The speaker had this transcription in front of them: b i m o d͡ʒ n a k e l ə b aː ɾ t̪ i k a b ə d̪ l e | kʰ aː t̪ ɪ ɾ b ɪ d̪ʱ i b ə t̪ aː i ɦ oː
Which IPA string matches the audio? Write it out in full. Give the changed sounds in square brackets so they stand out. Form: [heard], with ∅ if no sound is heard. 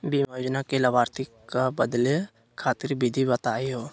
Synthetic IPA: b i m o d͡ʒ n a k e l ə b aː ɾ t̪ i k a b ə d̪ l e | kʰ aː t̪ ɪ ɾ b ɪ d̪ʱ i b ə t̪ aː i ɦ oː